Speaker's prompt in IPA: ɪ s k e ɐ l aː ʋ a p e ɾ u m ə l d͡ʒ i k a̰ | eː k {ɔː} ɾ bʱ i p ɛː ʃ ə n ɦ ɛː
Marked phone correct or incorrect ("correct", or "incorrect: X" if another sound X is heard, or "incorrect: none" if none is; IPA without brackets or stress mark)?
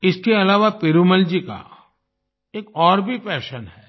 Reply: correct